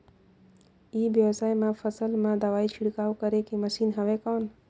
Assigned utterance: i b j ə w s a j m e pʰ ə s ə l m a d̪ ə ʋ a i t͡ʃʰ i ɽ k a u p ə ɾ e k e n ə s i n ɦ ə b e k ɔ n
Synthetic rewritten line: i b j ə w s a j m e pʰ ə s ə l m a d̪ ə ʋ a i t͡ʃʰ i ɽ k a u k ə ɾ e k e m ə s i n ɦ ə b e k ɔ n